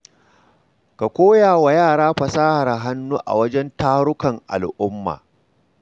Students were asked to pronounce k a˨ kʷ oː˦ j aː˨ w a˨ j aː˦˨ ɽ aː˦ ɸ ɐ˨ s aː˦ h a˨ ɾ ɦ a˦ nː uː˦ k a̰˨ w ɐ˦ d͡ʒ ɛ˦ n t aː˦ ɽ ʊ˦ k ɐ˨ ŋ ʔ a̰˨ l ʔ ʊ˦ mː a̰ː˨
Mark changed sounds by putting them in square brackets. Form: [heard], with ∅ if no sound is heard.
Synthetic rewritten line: k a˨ kʷ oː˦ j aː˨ w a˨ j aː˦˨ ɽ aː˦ ɸ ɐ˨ s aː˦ h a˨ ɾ ɦ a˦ nː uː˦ [ʔ] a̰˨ w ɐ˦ d͡ʒ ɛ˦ n t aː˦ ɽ ʊ˦ k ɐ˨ ŋ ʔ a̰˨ l ʔ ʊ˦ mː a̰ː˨